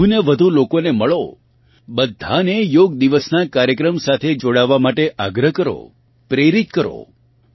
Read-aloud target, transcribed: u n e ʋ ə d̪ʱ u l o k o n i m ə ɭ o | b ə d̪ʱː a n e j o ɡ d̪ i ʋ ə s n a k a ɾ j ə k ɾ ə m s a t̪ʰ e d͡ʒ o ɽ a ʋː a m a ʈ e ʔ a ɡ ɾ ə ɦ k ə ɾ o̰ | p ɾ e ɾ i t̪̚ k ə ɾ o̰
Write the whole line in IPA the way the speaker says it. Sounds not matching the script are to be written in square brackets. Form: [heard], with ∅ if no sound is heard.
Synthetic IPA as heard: u n e ʋ ə d̪ʱ u l o k o n [e] m ə ɭ o | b ə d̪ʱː a n e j o ɡ d̪ i ʋ ə s n a k a ɾ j ə k ɾ ə m s a t̪ʰ e d͡ʒ o ɽ a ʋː a m a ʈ e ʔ a ɡ ɾ ə ɦ k ə ɾ o̰ | p ɾ e ɾ i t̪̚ k ə ɾ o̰